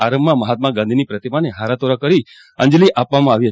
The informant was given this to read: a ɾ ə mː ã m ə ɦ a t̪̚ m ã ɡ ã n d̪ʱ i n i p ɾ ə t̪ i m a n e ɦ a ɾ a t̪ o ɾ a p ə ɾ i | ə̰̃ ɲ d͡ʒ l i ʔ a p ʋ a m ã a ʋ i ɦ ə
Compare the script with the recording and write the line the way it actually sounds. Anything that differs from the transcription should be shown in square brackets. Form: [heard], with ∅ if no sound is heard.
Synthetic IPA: a ɾ ə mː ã m ə ɦ a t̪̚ m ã ɡ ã n d̪ʱ i n i p ɾ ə t̪ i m a n e ɦ a ɾ a t̪ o ɾ a [k] ə ɾ i | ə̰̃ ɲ d͡ʒ l i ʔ a p ʋ a m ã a ʋ i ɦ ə